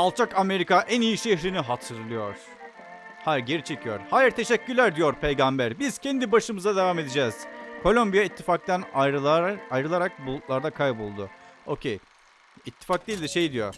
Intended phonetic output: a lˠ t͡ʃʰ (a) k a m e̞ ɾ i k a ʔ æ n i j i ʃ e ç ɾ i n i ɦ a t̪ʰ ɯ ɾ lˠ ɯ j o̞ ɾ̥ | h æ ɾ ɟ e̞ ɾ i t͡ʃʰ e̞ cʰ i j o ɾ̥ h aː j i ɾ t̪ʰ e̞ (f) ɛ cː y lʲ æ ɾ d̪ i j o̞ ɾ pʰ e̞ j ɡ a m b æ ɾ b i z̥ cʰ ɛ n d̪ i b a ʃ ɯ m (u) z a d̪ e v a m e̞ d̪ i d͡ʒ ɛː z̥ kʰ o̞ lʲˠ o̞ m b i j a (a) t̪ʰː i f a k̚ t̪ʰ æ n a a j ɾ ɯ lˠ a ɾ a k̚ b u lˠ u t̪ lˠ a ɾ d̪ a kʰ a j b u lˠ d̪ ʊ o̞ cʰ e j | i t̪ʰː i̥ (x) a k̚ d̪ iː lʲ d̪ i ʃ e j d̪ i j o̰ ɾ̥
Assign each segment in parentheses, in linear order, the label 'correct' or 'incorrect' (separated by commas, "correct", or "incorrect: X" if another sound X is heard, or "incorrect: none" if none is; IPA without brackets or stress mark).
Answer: correct, incorrect: ʃ, incorrect: ɯ, incorrect: i, incorrect: f